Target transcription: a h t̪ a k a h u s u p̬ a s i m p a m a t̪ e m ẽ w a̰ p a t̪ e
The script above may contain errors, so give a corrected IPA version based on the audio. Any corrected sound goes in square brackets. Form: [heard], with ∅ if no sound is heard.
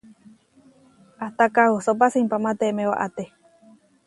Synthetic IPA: a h t̪ a k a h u s [o] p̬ a s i m p a m a t̪ e m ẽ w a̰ [ʔ] a t̪ e